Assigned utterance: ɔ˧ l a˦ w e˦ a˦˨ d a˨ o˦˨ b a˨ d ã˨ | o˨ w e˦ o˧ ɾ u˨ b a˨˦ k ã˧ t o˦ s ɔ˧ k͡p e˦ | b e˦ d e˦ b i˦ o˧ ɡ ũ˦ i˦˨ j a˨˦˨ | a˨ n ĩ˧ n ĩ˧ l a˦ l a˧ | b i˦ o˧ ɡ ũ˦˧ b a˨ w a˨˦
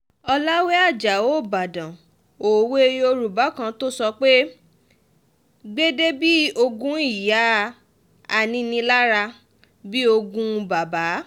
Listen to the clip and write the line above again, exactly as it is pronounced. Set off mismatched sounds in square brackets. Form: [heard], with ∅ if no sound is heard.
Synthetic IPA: ɔ˧ l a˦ w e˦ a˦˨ [d͡ʒ] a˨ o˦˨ b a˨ d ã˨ | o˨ w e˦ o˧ ɾ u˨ b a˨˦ k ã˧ t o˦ s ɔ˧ k͡p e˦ | [ɡ͡b] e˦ d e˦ b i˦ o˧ ɡ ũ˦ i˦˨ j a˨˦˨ | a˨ n ĩ˧ n ĩ˧ l a˦ [ɾ] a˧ | b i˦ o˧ ɡ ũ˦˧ b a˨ [b] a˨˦